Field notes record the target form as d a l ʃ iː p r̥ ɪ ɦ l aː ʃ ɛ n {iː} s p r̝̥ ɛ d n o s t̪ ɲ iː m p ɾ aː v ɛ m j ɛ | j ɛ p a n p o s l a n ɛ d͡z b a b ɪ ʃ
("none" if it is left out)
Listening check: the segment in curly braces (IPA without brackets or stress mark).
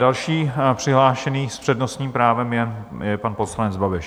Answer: iː